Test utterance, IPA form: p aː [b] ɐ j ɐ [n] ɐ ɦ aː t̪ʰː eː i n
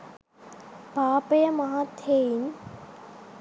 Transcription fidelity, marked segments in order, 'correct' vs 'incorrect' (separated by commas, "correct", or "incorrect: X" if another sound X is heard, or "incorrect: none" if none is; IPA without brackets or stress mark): incorrect: p, incorrect: m